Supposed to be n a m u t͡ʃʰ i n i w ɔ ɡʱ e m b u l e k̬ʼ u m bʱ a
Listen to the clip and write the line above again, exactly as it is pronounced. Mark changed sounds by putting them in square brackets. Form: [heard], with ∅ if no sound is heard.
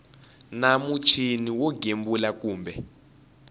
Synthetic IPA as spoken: n a m u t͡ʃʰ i n i w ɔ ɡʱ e m b u l [a] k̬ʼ [uː] m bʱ [ɛ]

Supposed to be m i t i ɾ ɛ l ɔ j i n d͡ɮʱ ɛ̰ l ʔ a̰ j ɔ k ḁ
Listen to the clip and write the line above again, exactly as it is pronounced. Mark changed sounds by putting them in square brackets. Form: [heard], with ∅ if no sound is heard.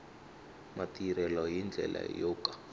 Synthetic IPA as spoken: m [a] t i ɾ ɛ l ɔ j i n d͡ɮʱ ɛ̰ l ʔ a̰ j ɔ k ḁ

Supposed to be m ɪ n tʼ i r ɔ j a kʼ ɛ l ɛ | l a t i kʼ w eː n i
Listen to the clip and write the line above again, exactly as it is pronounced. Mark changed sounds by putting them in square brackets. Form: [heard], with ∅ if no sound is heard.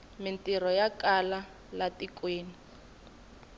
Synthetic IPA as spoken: m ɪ n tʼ i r ɔ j a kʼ [a] l [a] | l a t i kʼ w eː n i

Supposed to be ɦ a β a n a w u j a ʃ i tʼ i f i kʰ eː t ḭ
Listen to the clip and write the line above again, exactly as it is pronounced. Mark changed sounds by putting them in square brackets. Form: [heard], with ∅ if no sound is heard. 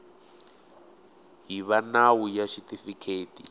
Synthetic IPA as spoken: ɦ [i] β a n a w u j a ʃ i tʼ i f i kʰ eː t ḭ

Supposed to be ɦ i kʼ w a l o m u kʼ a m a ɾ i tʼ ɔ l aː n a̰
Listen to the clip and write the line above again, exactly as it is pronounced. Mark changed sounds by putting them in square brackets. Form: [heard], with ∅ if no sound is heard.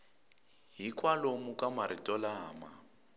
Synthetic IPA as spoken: ɦ i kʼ w a l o m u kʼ a m a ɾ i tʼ ɔ l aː [m] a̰

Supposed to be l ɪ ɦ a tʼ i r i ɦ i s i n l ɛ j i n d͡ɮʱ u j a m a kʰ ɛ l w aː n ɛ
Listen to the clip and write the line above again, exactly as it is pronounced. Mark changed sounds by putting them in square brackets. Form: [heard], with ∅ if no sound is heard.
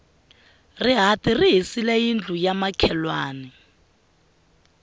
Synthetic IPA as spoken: [r] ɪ ɦ a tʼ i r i ɦ i s i [∅] l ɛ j i n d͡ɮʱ u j a m a kʰ ɛ l w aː n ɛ

